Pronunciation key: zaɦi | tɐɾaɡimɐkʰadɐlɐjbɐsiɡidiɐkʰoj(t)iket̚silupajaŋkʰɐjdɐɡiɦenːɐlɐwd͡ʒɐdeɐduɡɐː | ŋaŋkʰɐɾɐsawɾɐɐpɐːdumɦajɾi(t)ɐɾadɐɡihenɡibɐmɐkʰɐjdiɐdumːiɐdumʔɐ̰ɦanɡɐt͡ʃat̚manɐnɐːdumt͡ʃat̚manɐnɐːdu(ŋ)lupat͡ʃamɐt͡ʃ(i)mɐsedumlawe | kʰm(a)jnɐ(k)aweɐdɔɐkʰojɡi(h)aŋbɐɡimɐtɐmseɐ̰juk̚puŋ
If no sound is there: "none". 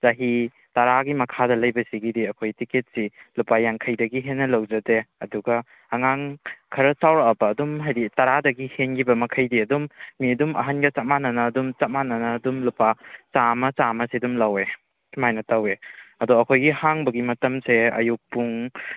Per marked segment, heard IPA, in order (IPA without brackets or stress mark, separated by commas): t, t, m, a, a, t, h